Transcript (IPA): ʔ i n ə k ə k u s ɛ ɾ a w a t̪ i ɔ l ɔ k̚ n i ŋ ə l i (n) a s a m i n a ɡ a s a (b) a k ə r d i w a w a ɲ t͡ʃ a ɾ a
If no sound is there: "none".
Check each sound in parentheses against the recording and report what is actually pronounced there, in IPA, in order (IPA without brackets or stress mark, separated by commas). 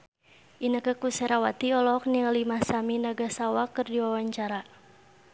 m, w